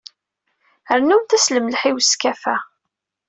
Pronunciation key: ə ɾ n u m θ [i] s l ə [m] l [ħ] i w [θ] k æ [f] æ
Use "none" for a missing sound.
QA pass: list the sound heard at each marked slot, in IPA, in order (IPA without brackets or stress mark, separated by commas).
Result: æ, m, ħ, s, f